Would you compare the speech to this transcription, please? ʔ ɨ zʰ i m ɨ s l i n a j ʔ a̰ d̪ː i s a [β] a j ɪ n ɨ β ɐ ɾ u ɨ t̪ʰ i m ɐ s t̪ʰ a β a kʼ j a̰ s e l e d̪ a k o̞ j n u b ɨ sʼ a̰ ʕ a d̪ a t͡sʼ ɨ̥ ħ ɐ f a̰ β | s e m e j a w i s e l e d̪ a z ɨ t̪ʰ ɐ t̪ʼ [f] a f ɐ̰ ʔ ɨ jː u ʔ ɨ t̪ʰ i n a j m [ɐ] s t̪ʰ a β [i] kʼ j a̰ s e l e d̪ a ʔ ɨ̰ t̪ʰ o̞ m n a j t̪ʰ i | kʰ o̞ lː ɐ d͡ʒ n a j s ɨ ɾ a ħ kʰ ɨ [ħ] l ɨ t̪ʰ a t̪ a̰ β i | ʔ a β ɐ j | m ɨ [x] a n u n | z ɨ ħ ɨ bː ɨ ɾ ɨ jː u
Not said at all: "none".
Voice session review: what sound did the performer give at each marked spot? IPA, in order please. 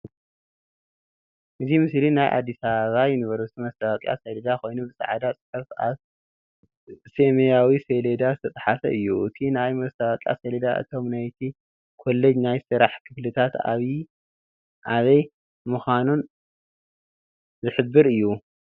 β, ħ, ɐ, a, f, x

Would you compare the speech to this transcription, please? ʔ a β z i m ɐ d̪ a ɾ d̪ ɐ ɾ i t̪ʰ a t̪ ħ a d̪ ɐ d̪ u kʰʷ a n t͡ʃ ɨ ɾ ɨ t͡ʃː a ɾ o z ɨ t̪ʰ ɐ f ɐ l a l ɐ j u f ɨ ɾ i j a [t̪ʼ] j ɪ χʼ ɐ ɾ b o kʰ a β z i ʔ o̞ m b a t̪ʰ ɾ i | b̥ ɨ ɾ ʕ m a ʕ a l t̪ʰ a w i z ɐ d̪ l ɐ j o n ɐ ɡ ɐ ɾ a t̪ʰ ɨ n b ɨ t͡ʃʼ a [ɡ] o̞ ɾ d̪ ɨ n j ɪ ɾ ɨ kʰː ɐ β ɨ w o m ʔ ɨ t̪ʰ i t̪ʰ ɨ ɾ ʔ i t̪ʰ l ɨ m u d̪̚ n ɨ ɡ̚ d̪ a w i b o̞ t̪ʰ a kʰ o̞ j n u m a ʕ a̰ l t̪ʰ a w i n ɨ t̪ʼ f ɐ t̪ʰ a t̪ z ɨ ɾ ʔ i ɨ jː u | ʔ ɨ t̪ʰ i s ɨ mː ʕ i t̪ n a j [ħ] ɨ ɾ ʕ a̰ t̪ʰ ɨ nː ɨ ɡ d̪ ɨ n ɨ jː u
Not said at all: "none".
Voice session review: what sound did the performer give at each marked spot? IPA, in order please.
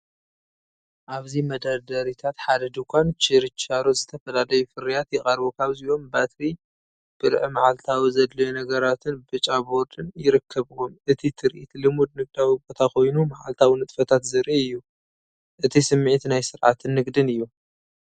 t̪, b, s

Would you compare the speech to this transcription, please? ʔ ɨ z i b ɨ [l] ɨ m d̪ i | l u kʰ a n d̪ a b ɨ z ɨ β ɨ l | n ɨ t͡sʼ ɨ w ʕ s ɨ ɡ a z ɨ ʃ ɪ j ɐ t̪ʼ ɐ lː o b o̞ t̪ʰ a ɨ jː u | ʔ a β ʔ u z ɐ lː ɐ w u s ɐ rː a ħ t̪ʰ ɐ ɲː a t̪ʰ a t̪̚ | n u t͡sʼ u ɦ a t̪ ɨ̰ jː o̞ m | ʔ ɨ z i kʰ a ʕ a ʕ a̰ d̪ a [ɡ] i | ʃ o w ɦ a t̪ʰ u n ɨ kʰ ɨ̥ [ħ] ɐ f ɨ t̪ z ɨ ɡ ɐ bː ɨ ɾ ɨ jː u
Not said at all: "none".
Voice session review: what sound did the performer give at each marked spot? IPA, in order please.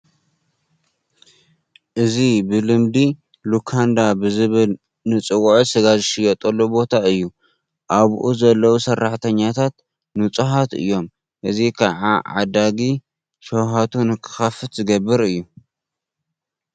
l, ɡ, x

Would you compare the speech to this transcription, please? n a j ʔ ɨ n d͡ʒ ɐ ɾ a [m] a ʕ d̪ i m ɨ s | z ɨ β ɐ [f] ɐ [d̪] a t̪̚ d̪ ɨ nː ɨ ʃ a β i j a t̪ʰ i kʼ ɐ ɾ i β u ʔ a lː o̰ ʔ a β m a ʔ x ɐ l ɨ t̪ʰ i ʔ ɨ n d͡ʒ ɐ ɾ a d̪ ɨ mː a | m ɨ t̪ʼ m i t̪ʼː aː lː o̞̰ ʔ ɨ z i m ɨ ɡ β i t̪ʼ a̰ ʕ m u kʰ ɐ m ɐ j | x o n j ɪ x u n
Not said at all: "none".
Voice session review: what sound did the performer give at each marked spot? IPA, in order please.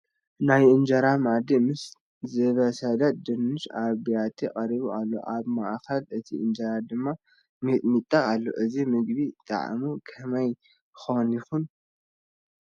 m, s, d̪

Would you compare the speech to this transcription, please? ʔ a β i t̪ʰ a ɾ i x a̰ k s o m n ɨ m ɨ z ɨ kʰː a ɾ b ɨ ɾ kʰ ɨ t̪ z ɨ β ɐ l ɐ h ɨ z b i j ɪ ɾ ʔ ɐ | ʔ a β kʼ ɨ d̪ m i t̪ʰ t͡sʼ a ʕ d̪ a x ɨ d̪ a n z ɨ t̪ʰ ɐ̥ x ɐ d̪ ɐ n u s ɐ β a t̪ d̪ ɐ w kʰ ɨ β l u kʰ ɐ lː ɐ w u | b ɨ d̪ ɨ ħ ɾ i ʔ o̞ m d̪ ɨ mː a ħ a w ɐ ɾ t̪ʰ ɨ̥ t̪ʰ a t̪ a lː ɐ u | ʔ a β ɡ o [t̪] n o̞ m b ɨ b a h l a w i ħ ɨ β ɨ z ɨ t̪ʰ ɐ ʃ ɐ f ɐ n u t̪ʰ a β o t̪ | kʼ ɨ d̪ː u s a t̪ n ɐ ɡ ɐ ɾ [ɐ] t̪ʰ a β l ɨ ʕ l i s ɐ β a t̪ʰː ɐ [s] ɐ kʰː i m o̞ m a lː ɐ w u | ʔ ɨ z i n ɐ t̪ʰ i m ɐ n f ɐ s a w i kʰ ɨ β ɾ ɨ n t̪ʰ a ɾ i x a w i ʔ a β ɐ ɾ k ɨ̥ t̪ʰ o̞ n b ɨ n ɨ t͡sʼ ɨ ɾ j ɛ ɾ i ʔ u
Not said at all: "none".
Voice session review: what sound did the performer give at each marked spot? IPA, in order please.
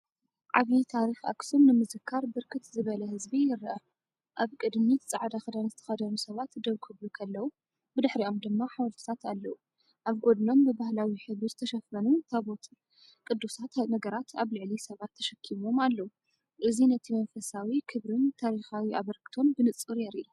d̪, a, ʃ

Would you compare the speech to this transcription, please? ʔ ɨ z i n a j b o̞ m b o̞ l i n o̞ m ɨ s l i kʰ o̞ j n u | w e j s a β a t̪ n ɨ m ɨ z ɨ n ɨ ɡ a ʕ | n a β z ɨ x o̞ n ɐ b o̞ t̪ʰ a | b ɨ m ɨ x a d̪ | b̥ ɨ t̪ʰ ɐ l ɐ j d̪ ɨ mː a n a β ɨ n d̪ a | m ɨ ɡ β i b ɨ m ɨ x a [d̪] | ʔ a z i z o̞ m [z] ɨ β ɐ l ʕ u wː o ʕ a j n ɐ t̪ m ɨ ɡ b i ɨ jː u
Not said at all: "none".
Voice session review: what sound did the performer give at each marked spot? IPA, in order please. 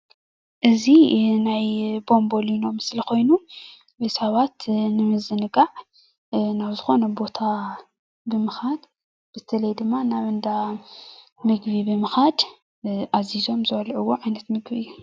d̪, z

